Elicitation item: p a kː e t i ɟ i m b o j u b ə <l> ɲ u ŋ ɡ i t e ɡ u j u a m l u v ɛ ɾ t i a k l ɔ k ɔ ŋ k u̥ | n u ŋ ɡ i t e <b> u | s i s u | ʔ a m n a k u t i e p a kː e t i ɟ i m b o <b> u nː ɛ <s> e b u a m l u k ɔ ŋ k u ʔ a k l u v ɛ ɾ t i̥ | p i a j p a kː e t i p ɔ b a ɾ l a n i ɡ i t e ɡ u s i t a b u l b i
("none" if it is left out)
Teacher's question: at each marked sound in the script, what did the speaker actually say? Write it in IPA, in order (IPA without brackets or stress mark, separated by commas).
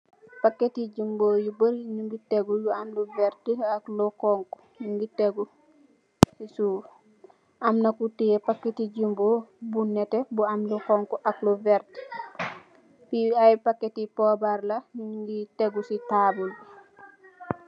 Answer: ɾ, ɡ, b, t